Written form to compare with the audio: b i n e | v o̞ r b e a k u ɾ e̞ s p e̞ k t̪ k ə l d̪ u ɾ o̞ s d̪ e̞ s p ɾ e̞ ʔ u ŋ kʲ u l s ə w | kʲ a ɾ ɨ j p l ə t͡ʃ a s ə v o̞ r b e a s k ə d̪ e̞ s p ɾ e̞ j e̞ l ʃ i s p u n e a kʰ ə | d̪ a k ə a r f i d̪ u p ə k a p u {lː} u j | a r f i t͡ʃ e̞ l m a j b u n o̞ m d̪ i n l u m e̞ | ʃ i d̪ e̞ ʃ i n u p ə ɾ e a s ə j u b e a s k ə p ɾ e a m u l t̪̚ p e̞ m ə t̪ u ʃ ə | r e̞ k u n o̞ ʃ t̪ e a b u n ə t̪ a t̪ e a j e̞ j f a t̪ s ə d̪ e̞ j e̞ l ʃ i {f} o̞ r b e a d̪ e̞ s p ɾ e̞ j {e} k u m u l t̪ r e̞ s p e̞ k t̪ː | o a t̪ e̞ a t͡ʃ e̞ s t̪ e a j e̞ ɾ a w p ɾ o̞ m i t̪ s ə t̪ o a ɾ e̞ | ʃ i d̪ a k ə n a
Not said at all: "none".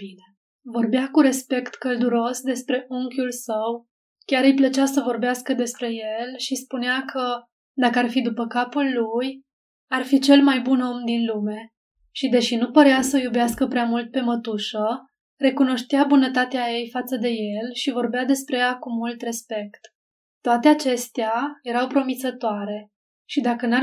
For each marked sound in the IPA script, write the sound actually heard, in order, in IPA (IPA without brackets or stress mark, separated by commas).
lː, v, a